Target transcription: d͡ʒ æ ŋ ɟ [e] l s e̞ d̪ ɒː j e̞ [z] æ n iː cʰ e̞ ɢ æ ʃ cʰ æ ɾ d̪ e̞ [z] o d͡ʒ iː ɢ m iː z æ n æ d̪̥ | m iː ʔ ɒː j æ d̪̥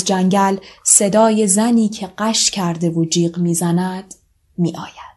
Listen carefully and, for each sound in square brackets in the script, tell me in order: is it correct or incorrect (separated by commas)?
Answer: incorrect, correct, incorrect